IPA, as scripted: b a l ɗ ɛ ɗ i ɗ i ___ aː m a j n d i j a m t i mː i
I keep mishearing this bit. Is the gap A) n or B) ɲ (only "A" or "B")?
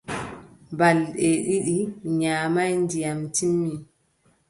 B